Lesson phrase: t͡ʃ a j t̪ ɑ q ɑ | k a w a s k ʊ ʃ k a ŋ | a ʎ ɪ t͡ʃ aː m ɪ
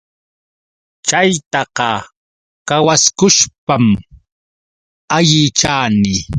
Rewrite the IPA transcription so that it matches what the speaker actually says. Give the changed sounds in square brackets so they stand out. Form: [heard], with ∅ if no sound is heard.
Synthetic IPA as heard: t͡ʃ a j t̪ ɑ q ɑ | k a w a s k ʊ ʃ [p] a [m] | a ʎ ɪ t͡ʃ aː [n] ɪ